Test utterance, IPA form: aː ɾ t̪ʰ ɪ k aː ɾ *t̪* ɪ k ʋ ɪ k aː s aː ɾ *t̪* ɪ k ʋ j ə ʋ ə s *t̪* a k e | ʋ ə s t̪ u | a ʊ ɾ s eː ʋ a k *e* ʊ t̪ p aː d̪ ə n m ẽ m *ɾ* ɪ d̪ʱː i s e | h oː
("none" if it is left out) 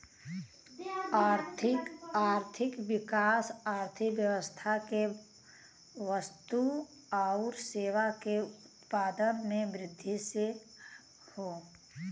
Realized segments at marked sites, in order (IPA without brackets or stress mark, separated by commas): t̪ʰ, t̪ʰ, t̪ʰ, e, ɾ